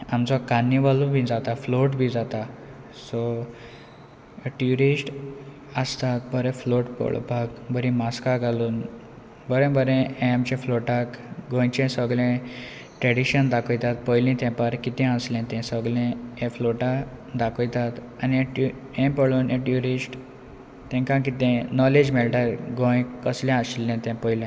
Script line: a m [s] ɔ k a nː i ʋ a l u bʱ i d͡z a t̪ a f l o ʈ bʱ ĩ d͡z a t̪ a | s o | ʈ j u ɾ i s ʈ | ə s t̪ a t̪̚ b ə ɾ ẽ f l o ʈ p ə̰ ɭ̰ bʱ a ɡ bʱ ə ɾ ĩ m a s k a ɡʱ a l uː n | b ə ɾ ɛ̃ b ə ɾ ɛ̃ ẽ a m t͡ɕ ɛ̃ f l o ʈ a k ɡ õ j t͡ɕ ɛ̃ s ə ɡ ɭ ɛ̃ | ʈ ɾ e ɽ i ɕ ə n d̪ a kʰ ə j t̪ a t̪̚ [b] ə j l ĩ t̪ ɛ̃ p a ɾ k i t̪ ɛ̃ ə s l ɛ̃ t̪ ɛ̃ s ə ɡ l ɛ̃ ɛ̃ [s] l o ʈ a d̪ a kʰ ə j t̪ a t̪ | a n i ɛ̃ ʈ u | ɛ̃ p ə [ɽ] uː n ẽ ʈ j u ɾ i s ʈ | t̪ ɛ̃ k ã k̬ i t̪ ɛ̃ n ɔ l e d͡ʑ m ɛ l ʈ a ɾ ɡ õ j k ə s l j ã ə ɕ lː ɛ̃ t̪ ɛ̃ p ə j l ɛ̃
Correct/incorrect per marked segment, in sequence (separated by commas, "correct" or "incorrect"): incorrect, incorrect, incorrect, incorrect